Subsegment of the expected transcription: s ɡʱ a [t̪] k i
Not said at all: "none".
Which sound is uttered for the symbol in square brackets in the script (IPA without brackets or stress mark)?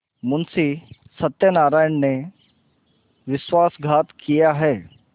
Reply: t̪